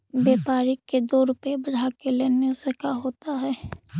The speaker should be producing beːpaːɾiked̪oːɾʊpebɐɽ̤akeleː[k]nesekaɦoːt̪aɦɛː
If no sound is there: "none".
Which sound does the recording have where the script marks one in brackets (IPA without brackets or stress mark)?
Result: none